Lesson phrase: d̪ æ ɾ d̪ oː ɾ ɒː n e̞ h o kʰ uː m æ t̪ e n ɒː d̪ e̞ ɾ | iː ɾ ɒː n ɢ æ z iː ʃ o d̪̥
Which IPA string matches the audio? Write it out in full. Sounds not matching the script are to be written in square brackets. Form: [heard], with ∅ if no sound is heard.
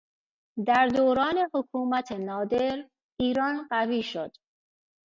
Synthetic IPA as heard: d̪ æ ɾ d̪ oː ɾ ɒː n e̞ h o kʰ uː m æ [t̪ʰ] e n ɒː d̪ e̞ ɾ | iː ɾ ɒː n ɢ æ [v] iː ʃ o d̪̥